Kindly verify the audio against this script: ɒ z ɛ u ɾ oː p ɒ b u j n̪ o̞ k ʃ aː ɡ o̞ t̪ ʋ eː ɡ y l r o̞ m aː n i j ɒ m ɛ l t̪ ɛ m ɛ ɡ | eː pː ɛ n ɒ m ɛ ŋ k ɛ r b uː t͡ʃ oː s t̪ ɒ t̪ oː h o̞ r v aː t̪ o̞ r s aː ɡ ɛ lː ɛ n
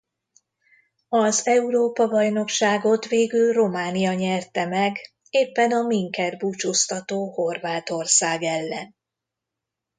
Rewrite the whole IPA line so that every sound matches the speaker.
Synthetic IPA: ɒ z ɛ u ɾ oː p ɒ b ɒ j n̪ o̞ k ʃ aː ɡ o̞ t̪ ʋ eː ɡ y l r o̞ m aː n i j ɒ ɲ ɛ r t̪ ɛ m ɛ ɡ | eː pː ɛ n ɒ m i ŋ k ɛ r b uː t͡ʃ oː s t̪ ɒ t̪ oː h o̞ r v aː t̪ o̞ r s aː ɡ ɛ lː ɛ n

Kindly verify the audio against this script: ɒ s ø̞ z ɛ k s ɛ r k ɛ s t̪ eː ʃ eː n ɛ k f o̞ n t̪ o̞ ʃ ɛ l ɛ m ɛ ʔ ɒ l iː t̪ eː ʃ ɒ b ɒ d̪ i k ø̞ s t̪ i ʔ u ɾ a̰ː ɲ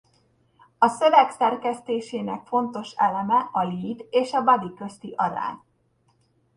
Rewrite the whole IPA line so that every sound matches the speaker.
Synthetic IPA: ɒ s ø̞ v ɛ k s ɛ r k ɛ s t̪ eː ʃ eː n ɛ k f o̞ n t̪ o̞ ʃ ɛ l ɛ m ɛ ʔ ɒ l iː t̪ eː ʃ ɒ b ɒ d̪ i k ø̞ s t̪ i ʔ ɒ ɾ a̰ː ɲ

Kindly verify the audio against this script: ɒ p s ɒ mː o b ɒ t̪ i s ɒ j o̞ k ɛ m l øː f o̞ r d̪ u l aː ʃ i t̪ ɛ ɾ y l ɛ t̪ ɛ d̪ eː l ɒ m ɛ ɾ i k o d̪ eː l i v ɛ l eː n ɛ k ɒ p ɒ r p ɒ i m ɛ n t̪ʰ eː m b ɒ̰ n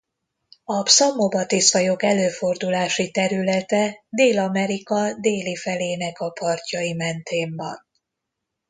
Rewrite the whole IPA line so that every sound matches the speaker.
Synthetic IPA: ɒ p s ɒ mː o b ɒ t̪ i s ɒ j o̞ k ɛ l øː f o̞ r d̪ u l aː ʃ i t̪ ɛ ɾ y l ɛ t̪ ɛ d̪ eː l ɒ m ɛ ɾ i k ɒ d̪ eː l i f ɛ l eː n ɛ k ɒ p ɒ r c ɒ i m ɛ n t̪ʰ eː m b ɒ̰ n

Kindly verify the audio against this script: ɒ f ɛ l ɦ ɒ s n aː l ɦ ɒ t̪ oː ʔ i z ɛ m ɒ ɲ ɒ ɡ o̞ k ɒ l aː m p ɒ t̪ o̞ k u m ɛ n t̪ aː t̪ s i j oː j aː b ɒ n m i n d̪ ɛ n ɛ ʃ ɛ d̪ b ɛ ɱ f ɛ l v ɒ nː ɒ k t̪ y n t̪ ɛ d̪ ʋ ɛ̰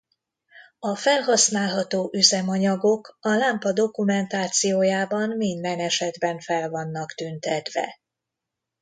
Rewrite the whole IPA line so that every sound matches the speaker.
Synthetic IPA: ɒ f ɛ l ɦ ɒ s n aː l ɦ ɒ t̪ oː ʔ y z ɛ m ɒ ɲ ɒ ɡ o̞ k ɒ l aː m p ɒ d̪ o̞ k u m ɛ n t̪ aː t̪ s i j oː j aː b ɒ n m i n d̪ ɛ n ɛ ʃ ɛ d̪ b ɛ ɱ f ɛ l v ɒ nː ɒ k t̪ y n t̪ ɛ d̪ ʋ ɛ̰

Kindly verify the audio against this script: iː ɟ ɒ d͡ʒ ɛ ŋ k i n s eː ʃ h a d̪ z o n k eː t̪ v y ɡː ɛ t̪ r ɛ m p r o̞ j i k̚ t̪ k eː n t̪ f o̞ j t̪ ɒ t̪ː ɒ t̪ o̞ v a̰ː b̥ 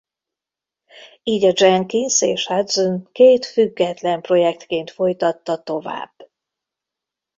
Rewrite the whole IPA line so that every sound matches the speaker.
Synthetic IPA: iː ɟ ɒ d͡ʒ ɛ ŋ k i n s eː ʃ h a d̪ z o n k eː t̪ f y ɡː ɛ t̪ l ɛ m p r o̞ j ɛ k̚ t̪ k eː n t̪ f o̞ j t̪ ɒ t̪ː ɒ t̪ o̞ v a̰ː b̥

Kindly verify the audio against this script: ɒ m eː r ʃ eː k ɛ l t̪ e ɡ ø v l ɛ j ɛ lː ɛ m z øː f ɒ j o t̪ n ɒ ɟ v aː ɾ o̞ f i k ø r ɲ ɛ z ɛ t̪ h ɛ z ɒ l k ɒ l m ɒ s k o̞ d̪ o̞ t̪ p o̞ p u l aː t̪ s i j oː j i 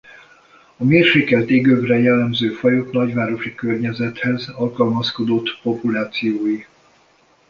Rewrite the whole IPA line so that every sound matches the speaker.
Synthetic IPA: ɒ m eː r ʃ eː k ɛ l t̪ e ɡ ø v r ɛ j ɛ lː ɛ m z øː f ɒ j o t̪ n ɒ ɟ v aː ɾ o̞ ʃ i k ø r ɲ ɛ z ɛ t̪ h ɛ z ɒ l k ɒ l m ɒ s k o̞ d̪ o̞ t̪ p o̞ p u l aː t̪ s i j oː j i

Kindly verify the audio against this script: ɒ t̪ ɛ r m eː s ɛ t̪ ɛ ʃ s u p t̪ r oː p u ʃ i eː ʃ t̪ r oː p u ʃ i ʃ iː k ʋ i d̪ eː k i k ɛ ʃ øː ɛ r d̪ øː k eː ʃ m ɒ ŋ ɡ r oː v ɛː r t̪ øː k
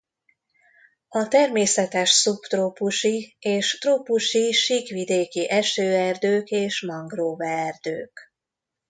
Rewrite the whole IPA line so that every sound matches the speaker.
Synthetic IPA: ɒ t̪ ɛ r m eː s ɛ t̪ ɛ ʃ s u p t̪ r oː p u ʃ i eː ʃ t̪ r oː p u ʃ i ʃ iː k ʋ i d̪ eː k i ʔ ɛ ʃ øː ɛ r d̪ øː k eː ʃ m ɒ ŋ ɡ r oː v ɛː r d̪ øː k

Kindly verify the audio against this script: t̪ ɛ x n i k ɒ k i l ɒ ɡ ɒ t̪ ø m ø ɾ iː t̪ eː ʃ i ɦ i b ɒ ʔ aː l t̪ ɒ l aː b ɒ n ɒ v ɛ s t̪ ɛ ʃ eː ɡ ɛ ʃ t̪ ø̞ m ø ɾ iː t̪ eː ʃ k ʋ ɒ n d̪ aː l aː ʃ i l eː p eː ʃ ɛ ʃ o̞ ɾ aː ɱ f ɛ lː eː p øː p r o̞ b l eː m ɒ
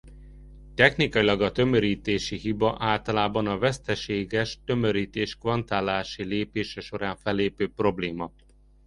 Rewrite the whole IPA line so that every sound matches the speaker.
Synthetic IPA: t̪ ɛ x n i k ɒ i l ɒ ɡ ɒ t̪ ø m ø ɾ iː t̪ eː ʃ i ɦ i b ɒ ʔ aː l t̪ ɒ l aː b ɒ n ɒ v ɛ s t̪ ɛ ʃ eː ɡ ɛ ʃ t̪ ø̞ m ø ɾ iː t̪ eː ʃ k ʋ ɒ n t̪ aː l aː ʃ i l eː p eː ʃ ɛ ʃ o̞ ɾ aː ɱ f ɛ lː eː p øː p r o̞ b l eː m ɒ

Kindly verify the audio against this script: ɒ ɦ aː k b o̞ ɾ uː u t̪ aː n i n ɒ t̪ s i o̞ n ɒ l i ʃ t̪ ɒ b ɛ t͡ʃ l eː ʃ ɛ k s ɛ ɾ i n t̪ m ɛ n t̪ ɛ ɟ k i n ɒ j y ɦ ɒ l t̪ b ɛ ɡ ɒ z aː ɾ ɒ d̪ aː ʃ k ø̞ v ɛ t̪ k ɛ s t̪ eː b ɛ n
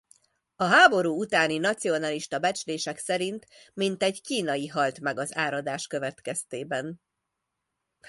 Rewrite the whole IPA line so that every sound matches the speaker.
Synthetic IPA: ɒ ɦ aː b o̞ ɾ uː u t̪ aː n i n ɒ t̪ s i o̞ n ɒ l i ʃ t̪ ɒ b ɛ t͡ʃ l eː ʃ ɛ k s ɛ ɾ i n t̪ m i n t̪ ɛ ɟ k iː n ɒ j i ɦ ɒ l t̪ m ɛ ɡ ɒ z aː ɾ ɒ d̪ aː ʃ k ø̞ v ɛ t̪ k ɛ s t̪ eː b ɛ n

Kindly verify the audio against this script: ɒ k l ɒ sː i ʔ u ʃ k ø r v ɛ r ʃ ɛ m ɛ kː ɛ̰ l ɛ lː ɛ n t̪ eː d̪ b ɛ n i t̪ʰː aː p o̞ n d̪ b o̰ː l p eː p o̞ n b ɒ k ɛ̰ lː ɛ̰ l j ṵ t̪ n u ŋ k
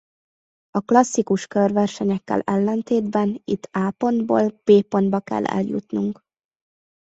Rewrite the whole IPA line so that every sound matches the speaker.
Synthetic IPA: ɒ k l ɒ sː i k u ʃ k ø r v ɛ r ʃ ɛ ɲ ɛ kː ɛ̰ l ɛ lː ɛ n t̪ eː d̪ b ɛ n i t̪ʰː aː p o̞ n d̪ b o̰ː l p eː p o̞ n b ɒ k ɛ̰ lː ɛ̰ l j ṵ t̪ n u ŋ k

